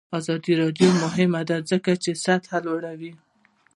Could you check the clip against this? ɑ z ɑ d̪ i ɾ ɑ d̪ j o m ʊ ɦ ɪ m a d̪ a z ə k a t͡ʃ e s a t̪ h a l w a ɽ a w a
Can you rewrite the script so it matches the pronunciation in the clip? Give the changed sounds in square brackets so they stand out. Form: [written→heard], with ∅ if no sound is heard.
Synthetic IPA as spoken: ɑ z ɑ d̪ i ɾ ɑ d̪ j o m ʊ ɦ ɪ m a d̪ a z ə k a t͡ʃ e s a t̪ h a l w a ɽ a w [a→i]